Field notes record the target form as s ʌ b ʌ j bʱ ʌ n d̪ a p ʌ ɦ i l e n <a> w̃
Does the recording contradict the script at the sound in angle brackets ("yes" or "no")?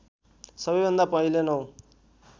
yes